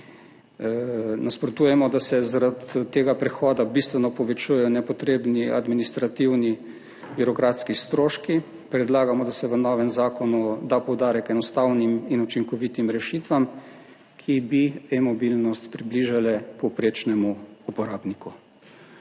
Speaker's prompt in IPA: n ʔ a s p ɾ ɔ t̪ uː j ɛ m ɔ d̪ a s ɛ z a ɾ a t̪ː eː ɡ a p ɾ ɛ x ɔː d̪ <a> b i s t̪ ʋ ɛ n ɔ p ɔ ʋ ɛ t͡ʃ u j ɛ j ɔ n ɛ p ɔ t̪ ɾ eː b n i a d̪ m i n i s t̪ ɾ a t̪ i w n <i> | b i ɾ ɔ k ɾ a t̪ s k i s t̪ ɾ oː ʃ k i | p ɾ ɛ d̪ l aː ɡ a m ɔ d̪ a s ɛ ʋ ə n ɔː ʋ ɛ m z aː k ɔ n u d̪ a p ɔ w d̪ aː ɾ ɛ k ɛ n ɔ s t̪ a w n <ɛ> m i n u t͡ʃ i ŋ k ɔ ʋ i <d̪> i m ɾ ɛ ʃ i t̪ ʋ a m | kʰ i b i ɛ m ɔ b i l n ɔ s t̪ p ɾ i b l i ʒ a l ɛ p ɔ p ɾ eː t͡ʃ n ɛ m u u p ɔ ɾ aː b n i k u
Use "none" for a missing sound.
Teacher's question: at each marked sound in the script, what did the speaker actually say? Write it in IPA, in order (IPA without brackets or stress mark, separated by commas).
a, i, i, t̪